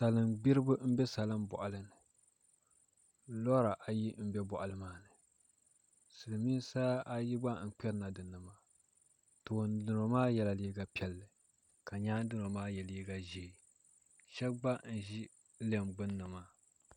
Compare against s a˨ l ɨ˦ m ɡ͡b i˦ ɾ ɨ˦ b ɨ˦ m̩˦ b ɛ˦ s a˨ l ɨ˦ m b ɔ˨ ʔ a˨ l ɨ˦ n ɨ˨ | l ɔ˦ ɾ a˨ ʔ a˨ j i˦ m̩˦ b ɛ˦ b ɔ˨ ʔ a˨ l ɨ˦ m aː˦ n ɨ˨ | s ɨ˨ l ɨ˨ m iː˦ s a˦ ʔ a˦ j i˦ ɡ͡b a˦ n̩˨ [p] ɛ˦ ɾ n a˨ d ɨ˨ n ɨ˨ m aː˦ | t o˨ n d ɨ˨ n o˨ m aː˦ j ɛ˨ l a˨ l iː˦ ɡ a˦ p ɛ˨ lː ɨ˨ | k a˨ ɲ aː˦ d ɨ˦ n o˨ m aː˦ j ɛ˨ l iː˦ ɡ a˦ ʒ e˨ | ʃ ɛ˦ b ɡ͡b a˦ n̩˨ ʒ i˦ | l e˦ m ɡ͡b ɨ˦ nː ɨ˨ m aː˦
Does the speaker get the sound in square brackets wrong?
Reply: yes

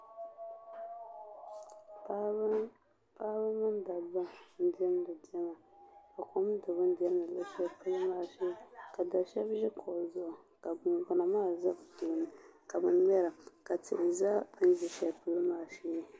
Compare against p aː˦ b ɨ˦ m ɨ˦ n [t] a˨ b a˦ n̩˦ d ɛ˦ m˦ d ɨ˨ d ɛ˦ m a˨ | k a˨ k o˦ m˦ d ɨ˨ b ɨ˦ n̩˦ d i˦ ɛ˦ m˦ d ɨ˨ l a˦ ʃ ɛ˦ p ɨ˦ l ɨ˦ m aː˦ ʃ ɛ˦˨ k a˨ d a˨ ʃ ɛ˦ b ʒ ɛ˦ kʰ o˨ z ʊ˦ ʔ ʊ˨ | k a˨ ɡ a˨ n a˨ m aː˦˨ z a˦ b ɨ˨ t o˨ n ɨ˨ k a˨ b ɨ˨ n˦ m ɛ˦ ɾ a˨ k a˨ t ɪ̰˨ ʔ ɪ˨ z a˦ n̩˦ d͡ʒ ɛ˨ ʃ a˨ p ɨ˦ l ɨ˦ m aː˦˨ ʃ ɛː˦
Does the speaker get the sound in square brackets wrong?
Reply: yes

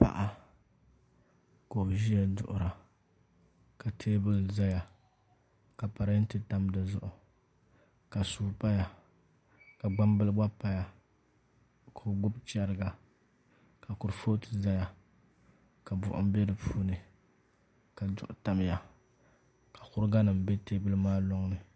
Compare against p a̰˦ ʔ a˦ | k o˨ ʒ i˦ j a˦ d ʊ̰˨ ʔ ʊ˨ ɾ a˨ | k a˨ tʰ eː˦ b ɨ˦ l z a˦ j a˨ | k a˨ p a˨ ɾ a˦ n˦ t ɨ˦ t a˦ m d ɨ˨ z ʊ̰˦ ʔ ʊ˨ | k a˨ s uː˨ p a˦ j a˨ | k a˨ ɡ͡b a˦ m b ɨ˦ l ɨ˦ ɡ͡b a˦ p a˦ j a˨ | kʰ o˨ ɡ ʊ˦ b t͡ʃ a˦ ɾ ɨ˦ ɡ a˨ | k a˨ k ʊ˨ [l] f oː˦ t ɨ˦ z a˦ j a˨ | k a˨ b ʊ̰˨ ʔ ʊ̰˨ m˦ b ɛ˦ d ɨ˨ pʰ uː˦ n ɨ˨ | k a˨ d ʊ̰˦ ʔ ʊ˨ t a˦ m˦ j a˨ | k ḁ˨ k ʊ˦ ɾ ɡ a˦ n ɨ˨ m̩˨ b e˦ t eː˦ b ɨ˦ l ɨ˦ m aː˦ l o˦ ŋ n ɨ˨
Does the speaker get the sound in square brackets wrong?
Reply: yes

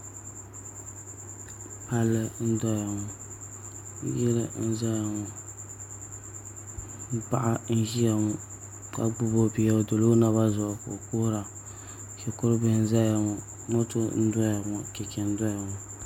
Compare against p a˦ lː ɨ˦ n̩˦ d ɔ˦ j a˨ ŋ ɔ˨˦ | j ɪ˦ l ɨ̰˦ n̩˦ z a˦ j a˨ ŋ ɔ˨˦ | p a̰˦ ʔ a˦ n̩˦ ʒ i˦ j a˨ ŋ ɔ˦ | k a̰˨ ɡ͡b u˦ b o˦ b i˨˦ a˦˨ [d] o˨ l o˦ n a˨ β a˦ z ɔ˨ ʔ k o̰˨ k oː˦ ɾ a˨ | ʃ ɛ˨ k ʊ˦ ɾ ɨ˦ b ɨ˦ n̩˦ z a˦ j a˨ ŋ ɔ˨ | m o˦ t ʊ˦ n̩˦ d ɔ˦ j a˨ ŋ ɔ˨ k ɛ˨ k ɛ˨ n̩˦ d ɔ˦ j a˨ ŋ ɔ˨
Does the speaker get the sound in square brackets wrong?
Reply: no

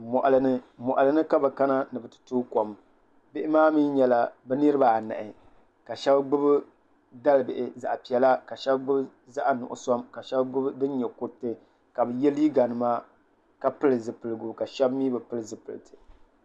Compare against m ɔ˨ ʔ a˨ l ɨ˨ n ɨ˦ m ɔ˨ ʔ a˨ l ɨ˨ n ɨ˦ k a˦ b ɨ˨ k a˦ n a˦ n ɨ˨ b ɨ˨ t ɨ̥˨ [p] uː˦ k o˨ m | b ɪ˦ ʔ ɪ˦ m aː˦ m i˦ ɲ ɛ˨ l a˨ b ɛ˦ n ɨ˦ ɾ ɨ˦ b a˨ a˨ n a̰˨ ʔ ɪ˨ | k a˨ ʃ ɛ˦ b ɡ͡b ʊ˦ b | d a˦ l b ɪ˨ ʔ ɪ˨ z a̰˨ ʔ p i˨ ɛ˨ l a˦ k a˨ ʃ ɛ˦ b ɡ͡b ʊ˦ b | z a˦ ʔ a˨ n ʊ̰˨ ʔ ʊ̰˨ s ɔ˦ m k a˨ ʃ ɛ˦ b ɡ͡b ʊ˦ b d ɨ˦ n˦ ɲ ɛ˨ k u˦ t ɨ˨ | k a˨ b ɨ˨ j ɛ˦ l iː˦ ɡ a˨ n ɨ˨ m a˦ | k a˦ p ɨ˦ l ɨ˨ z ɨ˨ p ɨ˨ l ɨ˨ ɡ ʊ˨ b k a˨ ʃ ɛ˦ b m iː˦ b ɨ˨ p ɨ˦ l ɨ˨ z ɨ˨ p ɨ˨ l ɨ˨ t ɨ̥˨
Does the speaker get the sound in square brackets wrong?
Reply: yes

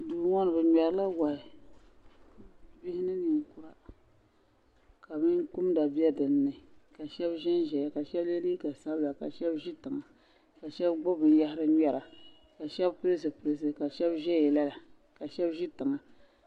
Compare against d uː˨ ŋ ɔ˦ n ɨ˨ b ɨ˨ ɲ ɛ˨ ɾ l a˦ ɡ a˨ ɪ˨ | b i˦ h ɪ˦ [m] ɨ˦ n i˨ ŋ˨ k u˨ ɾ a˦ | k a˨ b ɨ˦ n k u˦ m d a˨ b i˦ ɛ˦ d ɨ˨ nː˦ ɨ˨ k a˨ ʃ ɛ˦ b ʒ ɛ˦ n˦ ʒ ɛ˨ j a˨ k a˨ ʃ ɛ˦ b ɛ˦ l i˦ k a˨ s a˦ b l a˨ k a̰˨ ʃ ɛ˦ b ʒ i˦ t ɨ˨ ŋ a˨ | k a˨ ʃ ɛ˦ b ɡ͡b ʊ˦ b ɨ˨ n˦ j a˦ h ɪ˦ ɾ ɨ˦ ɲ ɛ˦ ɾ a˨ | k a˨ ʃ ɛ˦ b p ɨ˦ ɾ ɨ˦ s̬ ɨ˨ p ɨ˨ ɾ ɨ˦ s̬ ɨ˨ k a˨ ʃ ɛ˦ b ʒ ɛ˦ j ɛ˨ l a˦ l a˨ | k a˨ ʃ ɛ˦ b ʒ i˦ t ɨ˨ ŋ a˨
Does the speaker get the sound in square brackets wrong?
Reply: yes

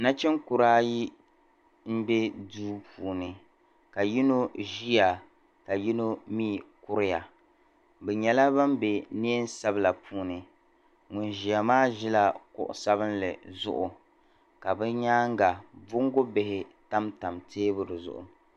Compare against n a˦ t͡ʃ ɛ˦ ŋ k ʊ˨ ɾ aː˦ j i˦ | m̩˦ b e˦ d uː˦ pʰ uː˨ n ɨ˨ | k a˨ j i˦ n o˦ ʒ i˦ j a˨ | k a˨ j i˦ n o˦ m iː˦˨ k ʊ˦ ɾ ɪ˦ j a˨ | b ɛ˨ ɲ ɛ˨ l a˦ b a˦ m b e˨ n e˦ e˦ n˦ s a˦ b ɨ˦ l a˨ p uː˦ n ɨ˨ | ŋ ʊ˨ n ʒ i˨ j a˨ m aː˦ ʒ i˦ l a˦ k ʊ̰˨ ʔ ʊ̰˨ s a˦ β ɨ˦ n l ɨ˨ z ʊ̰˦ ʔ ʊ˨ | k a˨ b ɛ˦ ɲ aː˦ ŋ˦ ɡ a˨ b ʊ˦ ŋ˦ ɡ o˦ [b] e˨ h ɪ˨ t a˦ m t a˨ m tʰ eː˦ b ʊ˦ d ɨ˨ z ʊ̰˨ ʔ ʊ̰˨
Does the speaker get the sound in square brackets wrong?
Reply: no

